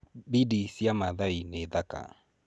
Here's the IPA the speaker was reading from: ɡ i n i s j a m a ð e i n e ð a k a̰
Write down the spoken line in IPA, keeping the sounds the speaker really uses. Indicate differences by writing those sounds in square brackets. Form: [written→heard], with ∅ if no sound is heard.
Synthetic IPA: [ɡ→b] i [n→d] i s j a m a ð [e→a] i n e ð a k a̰